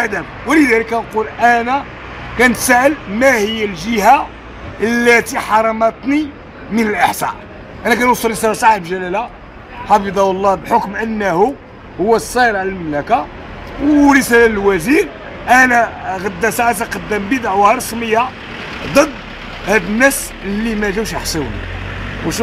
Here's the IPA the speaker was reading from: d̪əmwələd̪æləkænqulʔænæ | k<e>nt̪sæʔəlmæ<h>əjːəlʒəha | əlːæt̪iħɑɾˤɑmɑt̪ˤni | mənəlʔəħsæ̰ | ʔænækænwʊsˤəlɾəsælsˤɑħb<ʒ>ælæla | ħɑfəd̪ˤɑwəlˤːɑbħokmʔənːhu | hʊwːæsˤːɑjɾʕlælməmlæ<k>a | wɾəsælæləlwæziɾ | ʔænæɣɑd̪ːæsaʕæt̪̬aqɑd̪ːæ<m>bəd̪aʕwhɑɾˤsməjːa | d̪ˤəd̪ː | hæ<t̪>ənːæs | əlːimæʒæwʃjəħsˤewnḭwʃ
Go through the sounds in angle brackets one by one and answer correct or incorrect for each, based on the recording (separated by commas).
incorrect, correct, correct, correct, correct, incorrect